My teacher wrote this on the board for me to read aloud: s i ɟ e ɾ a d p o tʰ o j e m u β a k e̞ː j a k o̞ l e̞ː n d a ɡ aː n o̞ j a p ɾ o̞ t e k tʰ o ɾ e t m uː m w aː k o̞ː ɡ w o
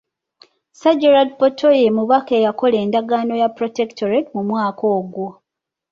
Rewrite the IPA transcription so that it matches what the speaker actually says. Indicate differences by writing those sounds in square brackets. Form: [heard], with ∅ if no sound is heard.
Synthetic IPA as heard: s [a] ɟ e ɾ a d p o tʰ o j e m u β a k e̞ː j a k o̞ l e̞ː n d a ɡ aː n o̞ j a p ɾ o̞ t e k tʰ o ɾ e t m [u] m w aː k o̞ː ɡ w o

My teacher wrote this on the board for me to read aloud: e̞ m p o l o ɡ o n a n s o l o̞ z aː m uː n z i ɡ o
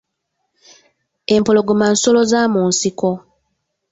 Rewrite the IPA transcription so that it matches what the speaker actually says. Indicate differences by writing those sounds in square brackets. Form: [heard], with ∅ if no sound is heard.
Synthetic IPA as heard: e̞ m p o l o ɡ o [m] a n s o l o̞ z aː m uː n [s] i [k] o

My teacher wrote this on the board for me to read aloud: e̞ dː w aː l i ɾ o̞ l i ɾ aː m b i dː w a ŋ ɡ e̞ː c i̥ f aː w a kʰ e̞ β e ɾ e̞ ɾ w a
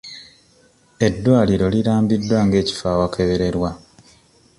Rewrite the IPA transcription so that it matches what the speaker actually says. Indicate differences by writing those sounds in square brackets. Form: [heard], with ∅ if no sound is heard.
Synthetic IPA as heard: e̞ dː w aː l i ɾ o̞ l i ɾ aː m b i dː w a ŋ ɡ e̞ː c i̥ f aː w a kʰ e̞ β e ɾ e̞ ɾ w a

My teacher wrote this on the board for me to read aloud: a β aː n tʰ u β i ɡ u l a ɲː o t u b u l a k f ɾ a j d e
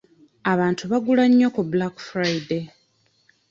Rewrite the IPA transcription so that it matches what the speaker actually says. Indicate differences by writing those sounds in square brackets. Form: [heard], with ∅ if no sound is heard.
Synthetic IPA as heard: a β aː n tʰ u β [a] ɡ u l a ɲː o [k] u b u l a k f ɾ a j d e

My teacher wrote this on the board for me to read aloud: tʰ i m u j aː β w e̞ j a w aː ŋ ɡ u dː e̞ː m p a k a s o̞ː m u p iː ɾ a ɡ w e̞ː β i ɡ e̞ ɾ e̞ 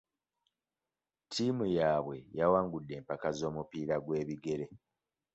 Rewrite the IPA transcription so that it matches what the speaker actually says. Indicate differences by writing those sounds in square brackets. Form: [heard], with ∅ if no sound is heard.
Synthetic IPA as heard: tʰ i m u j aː β w e̞ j a w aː ŋ ɡ u dː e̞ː m p a k a [z] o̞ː m u p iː ɾ a ɡ w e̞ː β i ɡ e̞ ɾ e̞

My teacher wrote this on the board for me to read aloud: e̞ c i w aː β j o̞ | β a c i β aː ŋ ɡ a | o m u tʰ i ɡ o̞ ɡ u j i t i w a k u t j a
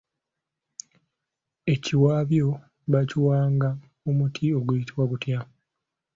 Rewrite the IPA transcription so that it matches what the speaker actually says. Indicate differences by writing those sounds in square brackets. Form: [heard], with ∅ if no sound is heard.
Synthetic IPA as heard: e̞ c i w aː β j o̞ | β a c i [w] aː ŋ ɡ a | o m u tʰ i [∅] o̞ ɡ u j i t i w a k u t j a

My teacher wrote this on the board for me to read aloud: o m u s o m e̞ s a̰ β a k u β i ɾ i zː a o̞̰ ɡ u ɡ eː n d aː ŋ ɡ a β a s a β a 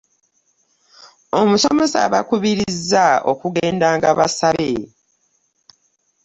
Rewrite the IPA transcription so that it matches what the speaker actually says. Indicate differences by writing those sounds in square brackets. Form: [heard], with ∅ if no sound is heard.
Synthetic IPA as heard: o m u s o m e̞ s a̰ β a k u β i ɾ i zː a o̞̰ [k] u ɡ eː n d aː ŋ ɡ a β a s a β [e]

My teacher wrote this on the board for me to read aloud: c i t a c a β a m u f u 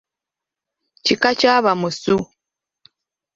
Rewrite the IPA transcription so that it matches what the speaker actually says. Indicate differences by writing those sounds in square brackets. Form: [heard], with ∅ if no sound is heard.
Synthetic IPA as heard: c i [k] a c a β a m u [s] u

